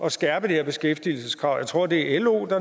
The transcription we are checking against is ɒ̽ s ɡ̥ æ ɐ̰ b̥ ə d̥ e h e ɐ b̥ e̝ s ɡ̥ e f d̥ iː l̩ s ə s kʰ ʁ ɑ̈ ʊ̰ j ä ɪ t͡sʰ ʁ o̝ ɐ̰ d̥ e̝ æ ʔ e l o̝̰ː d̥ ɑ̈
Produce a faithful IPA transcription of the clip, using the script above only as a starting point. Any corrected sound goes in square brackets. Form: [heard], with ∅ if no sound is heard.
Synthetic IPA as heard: ɒ̽ s ɡ̥ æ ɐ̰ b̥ ə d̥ e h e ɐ b̥ e̝ s ɡ̥ e f d̥ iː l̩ s ə s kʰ ʁ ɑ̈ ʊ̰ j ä ɪ t͡sʰ ʁ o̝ ɐ̰ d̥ e̝ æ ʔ e l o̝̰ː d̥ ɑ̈